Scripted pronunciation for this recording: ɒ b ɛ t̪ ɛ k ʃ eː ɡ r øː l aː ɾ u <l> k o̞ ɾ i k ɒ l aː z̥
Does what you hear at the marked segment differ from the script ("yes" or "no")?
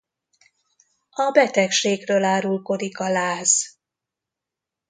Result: no